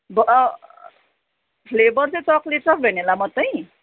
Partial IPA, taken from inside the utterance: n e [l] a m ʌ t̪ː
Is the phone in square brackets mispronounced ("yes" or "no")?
no